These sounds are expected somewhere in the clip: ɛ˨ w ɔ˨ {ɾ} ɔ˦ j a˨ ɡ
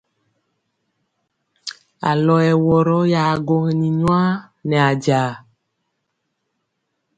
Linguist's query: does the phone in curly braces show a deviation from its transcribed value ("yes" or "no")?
no